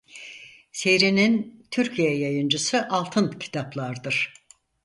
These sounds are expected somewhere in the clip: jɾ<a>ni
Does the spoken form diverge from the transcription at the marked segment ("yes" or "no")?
yes